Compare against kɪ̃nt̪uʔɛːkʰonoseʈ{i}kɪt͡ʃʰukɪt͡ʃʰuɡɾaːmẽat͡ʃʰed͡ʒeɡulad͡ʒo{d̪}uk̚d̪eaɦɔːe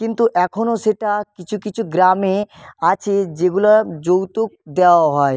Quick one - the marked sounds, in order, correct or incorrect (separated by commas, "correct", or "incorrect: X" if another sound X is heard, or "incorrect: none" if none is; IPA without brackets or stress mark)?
incorrect: a, incorrect: t̪